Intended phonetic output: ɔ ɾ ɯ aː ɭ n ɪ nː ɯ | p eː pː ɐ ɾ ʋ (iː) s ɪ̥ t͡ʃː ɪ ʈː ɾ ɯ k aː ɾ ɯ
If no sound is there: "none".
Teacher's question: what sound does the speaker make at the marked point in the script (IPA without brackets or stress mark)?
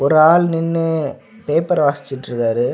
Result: aː